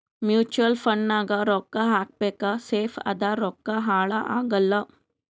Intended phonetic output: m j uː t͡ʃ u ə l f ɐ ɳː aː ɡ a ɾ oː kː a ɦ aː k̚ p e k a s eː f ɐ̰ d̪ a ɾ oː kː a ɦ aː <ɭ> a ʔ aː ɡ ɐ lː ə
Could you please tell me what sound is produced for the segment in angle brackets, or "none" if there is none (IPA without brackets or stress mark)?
ɭ